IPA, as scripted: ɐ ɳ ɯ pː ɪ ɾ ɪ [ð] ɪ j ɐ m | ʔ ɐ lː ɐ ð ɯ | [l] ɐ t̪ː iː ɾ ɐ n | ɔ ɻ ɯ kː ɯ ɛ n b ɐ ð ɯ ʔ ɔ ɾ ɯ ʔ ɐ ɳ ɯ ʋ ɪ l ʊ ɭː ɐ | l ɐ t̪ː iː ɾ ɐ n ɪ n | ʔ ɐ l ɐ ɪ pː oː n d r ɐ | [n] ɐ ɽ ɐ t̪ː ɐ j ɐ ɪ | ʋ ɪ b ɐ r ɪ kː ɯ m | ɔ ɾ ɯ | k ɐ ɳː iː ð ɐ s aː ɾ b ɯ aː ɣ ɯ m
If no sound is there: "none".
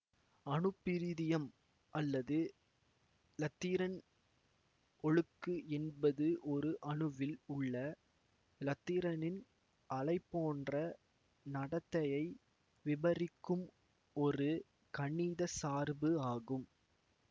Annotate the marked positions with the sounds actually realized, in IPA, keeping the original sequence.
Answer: ð, l, n

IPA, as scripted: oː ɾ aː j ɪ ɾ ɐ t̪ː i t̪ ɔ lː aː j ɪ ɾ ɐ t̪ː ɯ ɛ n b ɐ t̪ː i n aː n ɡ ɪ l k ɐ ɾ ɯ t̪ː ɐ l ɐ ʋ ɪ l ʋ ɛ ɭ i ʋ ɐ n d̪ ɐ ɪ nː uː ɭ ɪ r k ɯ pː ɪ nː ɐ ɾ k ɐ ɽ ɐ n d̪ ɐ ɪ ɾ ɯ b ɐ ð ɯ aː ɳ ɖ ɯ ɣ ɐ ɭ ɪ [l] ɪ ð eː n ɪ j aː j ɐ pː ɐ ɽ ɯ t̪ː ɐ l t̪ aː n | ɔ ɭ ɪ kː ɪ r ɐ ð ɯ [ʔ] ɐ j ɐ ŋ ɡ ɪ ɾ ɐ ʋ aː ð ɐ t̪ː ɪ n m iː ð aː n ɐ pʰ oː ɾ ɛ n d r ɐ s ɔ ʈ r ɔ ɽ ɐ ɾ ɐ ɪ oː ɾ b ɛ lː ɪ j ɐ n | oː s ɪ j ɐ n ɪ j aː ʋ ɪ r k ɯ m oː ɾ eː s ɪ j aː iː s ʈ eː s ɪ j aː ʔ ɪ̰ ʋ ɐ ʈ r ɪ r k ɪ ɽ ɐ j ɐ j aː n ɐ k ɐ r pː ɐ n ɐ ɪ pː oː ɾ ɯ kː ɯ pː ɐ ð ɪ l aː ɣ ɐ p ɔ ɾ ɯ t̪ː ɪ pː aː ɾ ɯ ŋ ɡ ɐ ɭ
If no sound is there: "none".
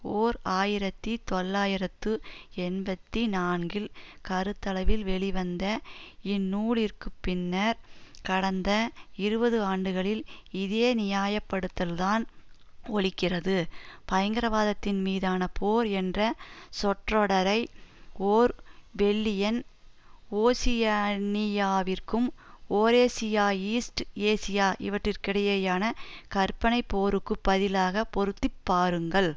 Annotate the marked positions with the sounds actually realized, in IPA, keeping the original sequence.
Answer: l, p

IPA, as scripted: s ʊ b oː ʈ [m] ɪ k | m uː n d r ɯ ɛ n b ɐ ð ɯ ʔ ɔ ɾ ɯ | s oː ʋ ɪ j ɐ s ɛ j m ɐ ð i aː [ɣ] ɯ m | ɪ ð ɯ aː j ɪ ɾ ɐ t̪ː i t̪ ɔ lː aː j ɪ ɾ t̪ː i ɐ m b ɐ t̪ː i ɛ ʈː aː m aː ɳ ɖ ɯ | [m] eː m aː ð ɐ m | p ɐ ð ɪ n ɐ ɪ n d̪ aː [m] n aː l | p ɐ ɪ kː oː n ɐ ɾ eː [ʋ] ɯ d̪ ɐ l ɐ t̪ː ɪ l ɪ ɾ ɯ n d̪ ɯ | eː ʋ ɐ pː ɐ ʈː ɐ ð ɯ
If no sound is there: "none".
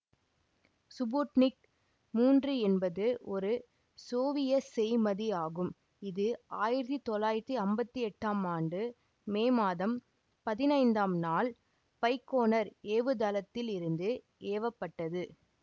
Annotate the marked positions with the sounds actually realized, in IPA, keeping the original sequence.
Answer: n, ɣ, m, m, ʋ

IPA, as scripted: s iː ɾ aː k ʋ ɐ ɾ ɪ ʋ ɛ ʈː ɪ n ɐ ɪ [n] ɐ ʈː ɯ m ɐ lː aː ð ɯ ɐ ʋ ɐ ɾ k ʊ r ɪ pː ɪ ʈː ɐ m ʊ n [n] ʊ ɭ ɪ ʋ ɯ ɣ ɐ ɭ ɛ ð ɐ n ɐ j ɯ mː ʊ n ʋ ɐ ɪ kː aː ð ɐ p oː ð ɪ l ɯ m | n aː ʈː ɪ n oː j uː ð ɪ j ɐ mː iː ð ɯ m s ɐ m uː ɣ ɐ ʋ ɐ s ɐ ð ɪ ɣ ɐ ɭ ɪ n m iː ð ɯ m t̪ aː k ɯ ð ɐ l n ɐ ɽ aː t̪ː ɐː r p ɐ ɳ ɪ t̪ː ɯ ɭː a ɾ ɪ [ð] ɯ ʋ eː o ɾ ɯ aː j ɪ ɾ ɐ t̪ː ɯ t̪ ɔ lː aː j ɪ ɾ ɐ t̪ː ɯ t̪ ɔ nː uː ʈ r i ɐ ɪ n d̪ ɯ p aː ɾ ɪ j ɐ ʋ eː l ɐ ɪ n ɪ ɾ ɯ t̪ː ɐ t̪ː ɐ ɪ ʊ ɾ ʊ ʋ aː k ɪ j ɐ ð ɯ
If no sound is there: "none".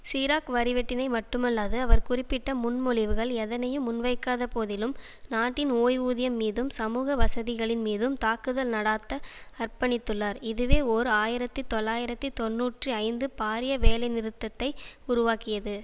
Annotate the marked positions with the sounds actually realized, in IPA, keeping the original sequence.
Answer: m, m, ð

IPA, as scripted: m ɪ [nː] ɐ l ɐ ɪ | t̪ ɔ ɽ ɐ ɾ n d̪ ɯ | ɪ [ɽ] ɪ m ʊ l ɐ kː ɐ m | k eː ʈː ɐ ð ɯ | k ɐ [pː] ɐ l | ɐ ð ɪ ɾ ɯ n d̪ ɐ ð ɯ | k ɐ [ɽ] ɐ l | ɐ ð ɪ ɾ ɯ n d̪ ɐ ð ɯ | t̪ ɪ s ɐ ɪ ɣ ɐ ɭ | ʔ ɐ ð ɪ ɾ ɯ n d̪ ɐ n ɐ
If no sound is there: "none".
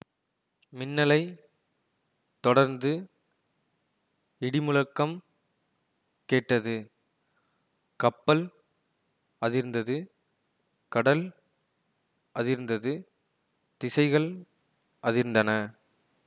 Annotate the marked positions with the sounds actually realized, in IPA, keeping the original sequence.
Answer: nː, ɽ, pː, ɽ

